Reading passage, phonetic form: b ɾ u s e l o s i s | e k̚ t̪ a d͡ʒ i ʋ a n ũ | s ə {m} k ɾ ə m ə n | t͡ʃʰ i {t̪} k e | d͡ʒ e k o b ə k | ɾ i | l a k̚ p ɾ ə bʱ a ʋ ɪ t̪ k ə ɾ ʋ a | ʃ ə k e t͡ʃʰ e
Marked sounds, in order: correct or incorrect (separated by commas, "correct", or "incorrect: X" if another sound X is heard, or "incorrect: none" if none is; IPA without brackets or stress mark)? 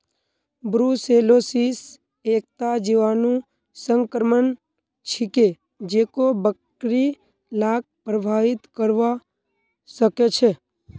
incorrect: ŋ, incorrect: none